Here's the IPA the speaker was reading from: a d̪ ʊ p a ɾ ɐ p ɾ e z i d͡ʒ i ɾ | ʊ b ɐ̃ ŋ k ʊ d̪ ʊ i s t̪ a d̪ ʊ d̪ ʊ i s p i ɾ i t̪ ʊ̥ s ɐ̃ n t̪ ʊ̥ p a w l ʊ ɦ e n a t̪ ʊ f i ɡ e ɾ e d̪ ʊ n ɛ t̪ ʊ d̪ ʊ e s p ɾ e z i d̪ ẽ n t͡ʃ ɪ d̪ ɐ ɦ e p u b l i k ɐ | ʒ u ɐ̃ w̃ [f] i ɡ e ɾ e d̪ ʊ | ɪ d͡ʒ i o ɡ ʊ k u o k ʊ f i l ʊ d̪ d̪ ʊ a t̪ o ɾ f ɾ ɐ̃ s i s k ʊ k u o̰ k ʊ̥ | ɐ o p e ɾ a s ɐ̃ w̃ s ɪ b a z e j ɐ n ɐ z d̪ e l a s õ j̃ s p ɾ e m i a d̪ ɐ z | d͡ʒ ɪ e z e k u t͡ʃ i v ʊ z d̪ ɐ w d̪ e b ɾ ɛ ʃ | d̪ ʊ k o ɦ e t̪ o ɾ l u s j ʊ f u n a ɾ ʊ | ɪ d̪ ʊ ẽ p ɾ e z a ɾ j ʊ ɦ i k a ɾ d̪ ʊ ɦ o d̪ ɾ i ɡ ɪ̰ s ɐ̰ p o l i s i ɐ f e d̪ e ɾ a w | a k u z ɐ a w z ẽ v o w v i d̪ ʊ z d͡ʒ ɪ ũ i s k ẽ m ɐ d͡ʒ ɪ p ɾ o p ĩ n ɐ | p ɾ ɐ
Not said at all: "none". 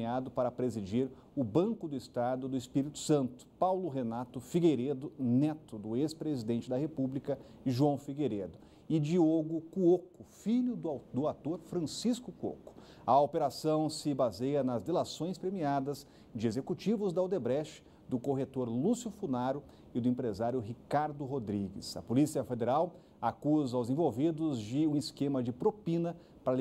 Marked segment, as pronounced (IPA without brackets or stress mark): f